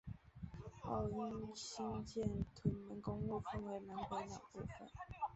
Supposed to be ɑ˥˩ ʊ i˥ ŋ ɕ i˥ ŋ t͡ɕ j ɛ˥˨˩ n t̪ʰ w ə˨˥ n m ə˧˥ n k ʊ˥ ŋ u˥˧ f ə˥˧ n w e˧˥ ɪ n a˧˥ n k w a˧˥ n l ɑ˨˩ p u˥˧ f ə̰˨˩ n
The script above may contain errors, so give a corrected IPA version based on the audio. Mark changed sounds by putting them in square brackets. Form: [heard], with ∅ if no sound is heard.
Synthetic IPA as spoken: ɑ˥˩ ʊ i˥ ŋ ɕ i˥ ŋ t͡ɕ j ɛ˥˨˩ n t̪ʰ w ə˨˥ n m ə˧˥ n k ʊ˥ ŋ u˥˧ f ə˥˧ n w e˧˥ ɪ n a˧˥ n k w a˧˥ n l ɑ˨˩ p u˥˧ f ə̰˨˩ n